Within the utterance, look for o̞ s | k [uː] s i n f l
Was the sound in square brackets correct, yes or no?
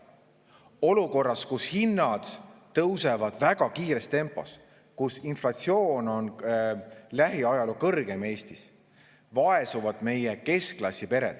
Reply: no